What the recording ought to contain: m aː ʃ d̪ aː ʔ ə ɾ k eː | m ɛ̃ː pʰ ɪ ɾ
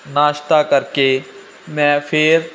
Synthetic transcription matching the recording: n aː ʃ t̪ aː k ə ɾ k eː | m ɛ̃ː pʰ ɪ ɾ